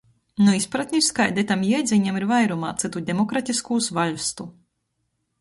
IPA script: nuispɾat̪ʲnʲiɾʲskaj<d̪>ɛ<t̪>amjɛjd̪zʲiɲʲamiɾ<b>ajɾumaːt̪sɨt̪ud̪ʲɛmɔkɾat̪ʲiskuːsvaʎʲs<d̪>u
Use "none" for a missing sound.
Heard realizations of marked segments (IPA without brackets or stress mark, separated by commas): d̪, t̪, v, t̪